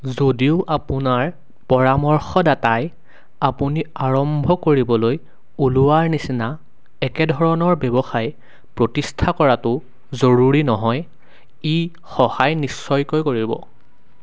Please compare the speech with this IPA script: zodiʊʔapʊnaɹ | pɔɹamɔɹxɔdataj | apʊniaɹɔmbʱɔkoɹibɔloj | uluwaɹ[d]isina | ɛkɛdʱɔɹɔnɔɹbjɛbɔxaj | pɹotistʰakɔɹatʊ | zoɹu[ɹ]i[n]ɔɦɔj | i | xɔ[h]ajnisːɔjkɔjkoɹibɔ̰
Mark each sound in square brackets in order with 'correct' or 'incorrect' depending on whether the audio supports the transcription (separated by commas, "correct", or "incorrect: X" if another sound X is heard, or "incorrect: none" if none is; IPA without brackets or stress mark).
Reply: incorrect: n, correct, correct, correct